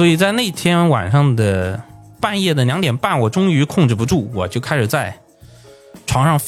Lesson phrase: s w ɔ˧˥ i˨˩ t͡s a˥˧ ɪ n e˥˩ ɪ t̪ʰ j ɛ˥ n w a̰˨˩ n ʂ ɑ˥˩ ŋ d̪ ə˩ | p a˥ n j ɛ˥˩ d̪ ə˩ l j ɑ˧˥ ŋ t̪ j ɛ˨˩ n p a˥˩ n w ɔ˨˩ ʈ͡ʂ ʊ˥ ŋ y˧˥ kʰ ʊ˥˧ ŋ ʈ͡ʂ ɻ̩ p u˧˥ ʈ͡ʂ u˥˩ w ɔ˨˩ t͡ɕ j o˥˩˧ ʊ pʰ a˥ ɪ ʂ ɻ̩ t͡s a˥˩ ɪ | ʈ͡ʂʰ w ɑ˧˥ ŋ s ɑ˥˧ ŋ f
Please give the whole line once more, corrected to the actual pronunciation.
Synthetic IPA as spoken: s w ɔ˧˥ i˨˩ t͡s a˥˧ ɪ n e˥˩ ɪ t̪ʰ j ɛ˥ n w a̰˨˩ n ʂ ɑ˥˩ ŋ d̪ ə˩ | p a˥˧ n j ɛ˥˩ d̪ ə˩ l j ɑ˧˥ ŋ t̪ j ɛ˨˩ n p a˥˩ n w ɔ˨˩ ʈ͡ʂ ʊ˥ ŋ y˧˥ kʰ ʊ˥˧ ŋ ʈ͡ʂ ɻ̩ p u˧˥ ʈ͡ʂ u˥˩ w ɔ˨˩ t͡ɕ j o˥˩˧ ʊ kʰ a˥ ɪ ʂ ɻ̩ t͡s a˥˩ ɪ | ʈ͡ʂʰ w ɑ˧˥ ŋ ʂ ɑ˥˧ ŋ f